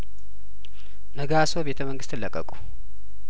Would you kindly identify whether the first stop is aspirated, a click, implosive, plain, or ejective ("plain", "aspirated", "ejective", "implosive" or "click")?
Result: plain